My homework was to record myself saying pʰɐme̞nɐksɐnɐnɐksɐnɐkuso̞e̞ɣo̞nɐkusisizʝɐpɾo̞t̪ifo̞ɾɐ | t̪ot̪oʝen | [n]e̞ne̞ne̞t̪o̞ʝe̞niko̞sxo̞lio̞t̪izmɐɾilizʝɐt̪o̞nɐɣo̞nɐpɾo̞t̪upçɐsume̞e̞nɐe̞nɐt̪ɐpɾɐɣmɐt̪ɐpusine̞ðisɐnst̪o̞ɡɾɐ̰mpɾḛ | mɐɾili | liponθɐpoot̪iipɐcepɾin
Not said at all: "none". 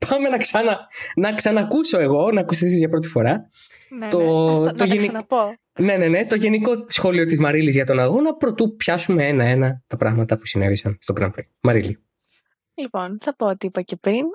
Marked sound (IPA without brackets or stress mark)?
n